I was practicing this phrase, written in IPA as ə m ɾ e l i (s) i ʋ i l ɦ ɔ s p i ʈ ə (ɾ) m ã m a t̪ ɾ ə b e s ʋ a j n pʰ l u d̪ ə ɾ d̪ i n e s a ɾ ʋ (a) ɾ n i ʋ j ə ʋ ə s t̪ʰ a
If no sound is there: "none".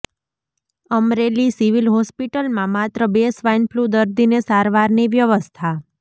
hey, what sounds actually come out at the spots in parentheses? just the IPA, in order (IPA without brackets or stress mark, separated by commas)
s, l, a